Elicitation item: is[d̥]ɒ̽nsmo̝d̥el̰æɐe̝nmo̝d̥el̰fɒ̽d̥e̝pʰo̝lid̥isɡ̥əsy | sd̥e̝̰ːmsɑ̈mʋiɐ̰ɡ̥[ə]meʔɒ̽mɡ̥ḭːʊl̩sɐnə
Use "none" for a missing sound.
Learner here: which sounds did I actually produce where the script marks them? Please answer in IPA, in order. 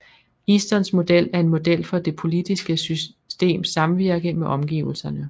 d̥, ə

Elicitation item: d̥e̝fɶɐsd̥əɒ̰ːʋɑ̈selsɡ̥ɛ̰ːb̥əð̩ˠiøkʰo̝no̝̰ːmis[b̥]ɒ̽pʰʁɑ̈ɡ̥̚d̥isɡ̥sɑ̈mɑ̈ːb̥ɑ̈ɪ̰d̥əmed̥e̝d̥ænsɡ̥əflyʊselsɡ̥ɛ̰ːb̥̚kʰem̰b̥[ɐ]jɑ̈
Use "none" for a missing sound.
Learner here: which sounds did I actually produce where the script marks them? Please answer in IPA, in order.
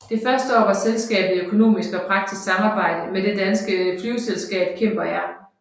ɡ̥, ɐ

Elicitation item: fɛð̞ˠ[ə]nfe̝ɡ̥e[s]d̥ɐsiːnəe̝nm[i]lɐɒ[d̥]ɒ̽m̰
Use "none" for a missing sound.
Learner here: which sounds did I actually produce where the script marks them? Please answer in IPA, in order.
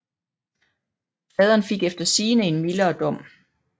ɐ, f, i, d̥

